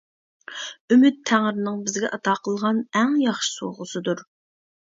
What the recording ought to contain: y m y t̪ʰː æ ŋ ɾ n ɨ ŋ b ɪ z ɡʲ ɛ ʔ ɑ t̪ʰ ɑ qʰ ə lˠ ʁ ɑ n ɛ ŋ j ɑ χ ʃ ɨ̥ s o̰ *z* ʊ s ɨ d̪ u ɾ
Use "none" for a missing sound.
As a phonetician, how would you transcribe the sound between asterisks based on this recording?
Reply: ʁ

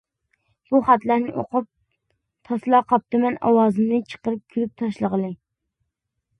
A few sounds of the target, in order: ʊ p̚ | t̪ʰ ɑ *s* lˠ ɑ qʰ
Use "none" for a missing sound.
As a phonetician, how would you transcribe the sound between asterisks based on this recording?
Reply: s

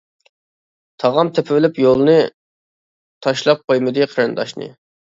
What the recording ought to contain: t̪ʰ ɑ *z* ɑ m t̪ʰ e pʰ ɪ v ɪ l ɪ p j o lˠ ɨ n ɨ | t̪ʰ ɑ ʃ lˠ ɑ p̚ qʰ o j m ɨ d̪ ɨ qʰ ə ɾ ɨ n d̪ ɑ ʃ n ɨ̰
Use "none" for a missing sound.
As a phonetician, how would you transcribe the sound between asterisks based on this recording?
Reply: ʁ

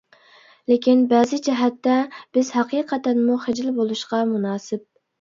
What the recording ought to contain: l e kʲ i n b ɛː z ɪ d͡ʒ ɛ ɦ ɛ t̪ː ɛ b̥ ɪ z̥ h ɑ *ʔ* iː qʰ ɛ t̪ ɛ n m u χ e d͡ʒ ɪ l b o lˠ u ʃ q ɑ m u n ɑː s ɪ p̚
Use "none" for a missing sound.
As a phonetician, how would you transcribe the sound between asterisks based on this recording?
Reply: q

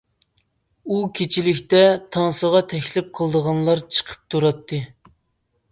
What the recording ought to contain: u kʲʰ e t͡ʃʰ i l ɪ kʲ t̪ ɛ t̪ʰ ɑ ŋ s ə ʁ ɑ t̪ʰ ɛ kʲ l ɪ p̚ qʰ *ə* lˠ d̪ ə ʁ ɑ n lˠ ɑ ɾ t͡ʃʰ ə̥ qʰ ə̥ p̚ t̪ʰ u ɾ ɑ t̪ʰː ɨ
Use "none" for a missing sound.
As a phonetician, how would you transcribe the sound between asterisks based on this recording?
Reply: ə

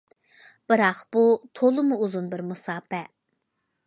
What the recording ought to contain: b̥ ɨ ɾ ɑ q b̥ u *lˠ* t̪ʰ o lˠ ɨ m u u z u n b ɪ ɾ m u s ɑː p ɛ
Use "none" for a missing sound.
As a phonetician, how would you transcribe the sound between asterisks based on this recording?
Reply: none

